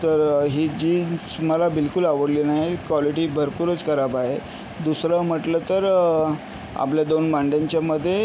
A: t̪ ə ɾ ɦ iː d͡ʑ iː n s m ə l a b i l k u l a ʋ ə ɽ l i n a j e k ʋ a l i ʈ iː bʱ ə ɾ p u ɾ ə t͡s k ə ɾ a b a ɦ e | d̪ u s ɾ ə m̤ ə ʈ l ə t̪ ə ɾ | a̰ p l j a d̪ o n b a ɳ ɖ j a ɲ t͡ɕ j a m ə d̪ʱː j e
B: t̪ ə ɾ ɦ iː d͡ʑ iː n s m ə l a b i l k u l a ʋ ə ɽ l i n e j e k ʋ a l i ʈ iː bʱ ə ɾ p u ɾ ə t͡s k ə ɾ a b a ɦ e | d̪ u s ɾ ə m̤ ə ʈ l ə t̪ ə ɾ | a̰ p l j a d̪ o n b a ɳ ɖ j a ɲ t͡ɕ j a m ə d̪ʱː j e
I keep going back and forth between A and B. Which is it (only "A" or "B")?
A